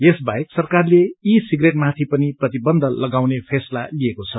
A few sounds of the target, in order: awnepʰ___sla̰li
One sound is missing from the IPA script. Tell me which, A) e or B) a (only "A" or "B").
A